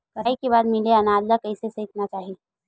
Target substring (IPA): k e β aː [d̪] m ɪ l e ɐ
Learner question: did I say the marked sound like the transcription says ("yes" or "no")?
yes